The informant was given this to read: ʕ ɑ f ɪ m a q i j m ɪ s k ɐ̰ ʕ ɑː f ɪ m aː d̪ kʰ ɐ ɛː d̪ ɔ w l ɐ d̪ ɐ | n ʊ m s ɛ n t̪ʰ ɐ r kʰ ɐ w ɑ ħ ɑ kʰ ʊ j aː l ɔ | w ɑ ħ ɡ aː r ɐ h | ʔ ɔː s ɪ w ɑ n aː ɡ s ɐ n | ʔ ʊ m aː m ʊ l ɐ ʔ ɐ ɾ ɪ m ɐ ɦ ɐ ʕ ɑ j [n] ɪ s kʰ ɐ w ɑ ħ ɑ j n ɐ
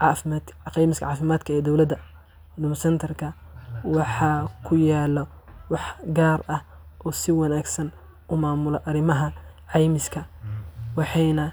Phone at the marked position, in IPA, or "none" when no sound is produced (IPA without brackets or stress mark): m